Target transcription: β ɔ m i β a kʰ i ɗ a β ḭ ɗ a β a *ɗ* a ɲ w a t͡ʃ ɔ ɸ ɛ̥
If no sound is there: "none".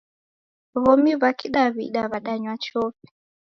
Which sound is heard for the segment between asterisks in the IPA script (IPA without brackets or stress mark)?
ɗ